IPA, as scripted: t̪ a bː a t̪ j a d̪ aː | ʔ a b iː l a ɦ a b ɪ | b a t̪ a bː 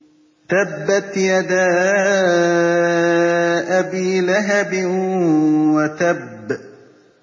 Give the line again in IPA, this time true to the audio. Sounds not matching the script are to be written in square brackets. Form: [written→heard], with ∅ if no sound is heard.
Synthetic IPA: t̪ a bː a t̪ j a d̪ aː | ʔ a b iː l a ɦ a b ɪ | [b→w] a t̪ a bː